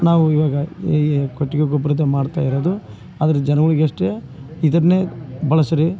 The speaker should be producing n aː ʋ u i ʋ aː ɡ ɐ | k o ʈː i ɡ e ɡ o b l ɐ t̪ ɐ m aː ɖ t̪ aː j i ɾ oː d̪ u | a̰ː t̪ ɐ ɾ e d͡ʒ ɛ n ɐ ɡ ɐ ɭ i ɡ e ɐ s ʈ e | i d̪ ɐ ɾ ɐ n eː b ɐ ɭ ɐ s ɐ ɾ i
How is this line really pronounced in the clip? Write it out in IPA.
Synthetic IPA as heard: n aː ʋ u i ʋ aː ɡ ɐ | k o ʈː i ɡ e ɡ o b ɾ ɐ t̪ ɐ m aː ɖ t̪ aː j i ɾ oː d̪ u | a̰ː d̪ ɐ ɾ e d͡ʒ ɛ n ɐ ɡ ɐ ɭ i ɡ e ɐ ʂ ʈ e | i d̪ ɐ ɾ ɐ n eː b ɐ ɭ ɐ s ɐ ɾ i